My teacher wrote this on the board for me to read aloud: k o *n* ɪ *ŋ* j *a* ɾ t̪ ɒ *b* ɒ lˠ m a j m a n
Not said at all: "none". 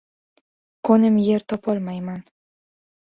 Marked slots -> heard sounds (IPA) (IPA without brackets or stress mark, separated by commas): n, m, e, p